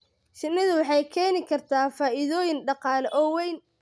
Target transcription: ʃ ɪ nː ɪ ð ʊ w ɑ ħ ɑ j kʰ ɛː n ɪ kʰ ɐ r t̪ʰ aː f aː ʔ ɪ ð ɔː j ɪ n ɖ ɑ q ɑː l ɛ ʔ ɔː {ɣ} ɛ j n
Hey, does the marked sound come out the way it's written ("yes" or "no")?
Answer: no